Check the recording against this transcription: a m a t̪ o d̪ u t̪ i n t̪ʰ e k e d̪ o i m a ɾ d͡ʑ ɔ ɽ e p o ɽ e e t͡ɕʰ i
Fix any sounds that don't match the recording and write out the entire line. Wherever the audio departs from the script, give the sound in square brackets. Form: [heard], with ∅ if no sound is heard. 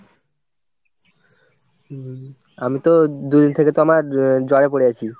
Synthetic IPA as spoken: a m [i] t̪ o d̪ u [d̪] i n t̪ʰ e k e [t̪] o [a] m a ɾ d͡ʑ ɔ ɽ e p o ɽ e [a] t͡ɕʰ i